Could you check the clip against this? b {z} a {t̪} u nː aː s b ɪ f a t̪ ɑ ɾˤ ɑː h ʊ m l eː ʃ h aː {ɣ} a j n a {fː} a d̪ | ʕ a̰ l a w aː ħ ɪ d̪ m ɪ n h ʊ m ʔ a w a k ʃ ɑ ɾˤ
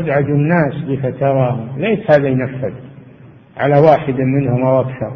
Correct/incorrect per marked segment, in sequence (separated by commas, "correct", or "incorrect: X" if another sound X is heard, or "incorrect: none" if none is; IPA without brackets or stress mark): incorrect: ʕ, incorrect: d̪, incorrect: ð, correct